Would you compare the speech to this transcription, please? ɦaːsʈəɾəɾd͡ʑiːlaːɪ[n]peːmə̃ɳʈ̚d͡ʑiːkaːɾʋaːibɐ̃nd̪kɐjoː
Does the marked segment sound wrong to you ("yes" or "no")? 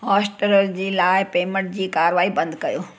yes